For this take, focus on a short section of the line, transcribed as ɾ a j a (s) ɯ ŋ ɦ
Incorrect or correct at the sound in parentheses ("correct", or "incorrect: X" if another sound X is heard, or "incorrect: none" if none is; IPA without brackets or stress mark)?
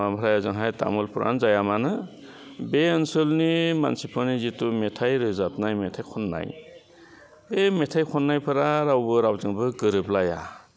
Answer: incorrect: z